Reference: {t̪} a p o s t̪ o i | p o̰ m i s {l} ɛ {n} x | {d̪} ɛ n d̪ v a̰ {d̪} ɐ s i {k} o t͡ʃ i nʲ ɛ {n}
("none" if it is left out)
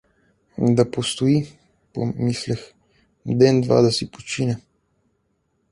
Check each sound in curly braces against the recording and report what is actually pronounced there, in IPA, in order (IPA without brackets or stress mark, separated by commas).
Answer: d̪, l, none, d̪, d̪, p, none